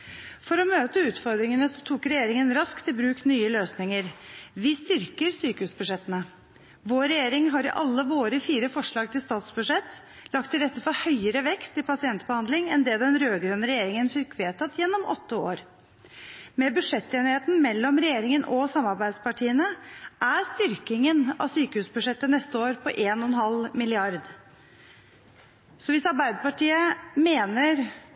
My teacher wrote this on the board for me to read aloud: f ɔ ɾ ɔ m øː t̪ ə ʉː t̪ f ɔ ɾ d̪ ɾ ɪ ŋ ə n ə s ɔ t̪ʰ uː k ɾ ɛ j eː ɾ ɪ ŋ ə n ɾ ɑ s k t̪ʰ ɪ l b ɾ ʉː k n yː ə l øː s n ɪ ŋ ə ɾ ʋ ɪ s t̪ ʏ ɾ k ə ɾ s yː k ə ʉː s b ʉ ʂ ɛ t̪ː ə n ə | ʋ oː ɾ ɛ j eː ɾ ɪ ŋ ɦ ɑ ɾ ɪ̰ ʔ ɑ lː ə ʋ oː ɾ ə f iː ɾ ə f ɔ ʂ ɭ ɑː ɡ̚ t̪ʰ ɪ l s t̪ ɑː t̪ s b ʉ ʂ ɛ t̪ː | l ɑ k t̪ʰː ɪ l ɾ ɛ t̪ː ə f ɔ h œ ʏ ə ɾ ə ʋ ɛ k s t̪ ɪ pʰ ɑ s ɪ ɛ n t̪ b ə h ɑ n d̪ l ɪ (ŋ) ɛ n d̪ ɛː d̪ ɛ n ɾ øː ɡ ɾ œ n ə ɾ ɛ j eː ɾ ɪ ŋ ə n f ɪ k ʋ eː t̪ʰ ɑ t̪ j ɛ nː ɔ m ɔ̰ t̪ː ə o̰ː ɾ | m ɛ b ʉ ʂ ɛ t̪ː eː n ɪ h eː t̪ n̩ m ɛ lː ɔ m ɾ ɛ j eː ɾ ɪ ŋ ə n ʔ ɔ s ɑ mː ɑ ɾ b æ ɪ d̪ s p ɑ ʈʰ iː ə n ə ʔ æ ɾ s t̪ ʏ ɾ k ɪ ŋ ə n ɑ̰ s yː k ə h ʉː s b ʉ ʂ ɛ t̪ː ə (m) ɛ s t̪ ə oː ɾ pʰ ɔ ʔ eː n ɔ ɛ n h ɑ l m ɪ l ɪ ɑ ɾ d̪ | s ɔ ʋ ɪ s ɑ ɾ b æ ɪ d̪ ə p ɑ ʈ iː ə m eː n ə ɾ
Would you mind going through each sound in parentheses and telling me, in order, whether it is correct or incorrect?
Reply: correct, incorrect: n

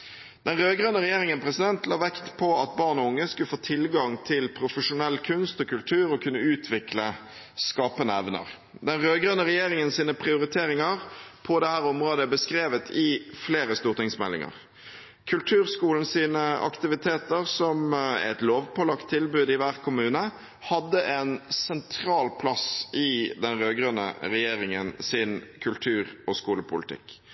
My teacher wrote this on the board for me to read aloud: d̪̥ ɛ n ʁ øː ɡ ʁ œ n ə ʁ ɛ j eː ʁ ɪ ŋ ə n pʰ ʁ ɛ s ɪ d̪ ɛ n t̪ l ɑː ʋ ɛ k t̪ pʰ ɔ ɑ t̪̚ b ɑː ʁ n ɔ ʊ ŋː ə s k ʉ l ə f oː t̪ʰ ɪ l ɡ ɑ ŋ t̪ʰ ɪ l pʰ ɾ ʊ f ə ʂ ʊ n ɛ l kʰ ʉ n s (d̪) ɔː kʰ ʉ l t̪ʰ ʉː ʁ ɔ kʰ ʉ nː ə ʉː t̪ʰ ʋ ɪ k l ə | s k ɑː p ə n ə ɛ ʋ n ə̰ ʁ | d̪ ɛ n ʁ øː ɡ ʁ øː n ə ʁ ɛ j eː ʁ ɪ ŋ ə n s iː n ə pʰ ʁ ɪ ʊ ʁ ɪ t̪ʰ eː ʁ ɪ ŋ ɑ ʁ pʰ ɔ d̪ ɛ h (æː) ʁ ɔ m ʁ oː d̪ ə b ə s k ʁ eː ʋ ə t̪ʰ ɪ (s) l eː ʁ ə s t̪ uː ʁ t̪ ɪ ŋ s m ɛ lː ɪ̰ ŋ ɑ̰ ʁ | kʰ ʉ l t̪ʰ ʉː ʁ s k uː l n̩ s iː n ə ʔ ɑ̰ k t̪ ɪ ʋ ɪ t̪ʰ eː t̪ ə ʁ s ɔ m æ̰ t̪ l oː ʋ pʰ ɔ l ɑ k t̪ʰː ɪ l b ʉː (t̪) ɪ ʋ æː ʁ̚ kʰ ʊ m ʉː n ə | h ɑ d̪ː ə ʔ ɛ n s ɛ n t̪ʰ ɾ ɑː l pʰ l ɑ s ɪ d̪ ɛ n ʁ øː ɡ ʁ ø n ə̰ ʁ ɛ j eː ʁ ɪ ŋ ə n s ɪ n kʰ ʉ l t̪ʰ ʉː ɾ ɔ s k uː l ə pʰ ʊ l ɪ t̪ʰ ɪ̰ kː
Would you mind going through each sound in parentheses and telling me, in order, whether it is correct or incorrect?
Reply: incorrect: t̪, correct, incorrect: f, incorrect: d̪

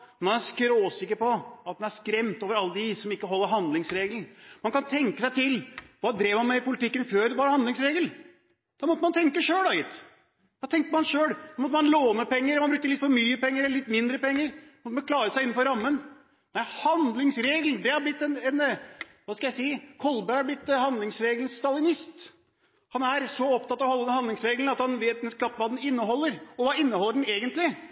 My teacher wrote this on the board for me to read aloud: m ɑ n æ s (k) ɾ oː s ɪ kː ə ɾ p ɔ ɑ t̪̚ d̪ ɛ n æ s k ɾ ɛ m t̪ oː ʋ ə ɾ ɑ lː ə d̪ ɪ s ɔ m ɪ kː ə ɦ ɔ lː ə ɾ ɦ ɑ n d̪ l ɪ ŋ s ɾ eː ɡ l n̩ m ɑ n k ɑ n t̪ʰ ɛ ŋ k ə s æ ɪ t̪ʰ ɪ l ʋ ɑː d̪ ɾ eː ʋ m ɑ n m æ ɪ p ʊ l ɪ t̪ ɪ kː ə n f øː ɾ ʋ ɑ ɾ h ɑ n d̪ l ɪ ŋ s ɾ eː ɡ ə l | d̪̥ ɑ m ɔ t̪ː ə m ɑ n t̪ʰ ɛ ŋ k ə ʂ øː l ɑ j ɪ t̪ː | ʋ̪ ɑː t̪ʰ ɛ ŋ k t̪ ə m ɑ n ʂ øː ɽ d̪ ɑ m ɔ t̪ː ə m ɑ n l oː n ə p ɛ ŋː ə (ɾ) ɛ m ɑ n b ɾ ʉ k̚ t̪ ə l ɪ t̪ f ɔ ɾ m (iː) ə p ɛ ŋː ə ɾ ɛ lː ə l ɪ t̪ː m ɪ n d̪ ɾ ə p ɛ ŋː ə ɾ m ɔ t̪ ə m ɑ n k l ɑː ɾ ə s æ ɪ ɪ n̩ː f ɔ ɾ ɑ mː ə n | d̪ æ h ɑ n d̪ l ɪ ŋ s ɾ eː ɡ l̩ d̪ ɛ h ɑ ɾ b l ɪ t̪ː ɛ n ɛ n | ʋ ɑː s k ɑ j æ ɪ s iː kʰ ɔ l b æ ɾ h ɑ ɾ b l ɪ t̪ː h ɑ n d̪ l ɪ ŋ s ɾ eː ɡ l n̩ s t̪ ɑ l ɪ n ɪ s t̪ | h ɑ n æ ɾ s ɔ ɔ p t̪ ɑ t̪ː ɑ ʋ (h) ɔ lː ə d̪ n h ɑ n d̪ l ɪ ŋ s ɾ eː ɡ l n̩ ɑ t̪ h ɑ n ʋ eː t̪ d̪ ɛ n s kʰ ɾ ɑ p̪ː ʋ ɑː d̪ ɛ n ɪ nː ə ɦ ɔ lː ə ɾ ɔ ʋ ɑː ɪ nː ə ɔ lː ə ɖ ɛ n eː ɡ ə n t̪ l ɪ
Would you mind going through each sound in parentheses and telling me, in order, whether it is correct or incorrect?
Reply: correct, correct, incorrect: yː, correct

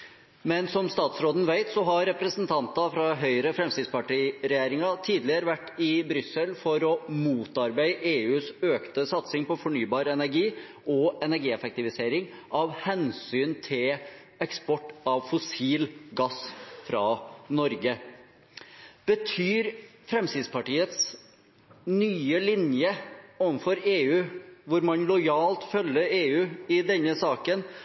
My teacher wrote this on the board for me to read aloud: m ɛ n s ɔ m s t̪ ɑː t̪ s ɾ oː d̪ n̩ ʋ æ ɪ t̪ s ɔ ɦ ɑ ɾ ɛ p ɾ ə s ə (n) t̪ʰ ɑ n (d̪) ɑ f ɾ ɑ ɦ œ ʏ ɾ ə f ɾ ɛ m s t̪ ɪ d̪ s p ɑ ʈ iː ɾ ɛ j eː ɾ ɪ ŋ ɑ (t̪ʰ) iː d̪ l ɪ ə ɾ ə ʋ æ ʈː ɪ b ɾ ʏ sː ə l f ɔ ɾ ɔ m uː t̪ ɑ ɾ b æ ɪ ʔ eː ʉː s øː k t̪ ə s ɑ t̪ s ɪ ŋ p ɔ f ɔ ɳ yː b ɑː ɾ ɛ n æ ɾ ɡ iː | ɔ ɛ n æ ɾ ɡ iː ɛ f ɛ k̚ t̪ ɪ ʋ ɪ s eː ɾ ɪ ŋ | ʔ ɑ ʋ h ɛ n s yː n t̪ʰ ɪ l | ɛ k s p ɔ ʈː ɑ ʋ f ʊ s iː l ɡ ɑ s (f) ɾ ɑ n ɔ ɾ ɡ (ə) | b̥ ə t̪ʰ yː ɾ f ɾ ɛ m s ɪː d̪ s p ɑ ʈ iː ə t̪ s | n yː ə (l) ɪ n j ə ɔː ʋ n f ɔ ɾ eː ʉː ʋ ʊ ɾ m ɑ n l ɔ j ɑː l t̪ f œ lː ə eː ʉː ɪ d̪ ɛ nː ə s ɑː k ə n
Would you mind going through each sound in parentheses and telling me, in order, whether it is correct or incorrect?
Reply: correct, incorrect: t̪, correct, correct, correct, correct

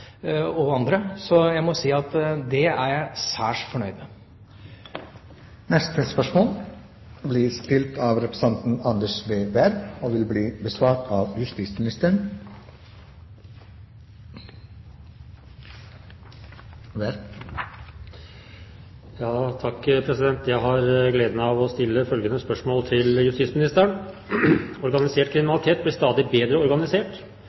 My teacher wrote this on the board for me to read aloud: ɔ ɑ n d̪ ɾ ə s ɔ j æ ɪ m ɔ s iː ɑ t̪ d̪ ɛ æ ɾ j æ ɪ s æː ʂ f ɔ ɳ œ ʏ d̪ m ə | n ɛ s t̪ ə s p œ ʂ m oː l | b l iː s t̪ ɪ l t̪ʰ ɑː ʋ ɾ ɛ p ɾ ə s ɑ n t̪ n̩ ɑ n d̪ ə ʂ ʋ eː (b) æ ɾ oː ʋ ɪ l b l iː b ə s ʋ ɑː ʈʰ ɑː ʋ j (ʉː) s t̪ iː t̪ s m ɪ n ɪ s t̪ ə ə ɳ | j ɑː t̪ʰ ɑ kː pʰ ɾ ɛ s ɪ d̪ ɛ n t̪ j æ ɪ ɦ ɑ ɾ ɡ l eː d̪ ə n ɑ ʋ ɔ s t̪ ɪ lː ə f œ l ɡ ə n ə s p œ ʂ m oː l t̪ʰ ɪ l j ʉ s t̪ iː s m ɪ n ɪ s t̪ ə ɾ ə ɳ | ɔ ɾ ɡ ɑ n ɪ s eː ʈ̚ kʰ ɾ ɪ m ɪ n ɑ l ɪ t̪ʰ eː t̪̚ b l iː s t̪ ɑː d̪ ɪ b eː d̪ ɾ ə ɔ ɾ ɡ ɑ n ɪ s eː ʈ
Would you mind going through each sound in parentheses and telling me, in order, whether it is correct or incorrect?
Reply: correct, incorrect: ʉ

